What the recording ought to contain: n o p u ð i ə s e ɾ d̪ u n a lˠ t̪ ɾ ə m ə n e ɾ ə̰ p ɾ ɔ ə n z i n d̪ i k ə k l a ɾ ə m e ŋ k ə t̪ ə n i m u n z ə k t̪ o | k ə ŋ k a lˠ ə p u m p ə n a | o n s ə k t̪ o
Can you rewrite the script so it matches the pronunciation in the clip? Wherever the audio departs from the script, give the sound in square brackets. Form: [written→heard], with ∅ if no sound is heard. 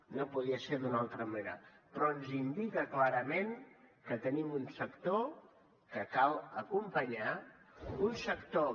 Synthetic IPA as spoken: n o p u ð i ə s e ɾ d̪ u n a lˠ t̪ ɾ ə m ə n e ɾ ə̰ p ɾ ɔ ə n z i n d̪ i k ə k l a ɾ ə m e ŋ k ə t̪ ə n i m u n [z→s] ə k t̪ o | k ə [ŋ→∅] k a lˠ ə [p→k] u m p ə [n→ɲ] a | [o→u] n s ə k t̪ o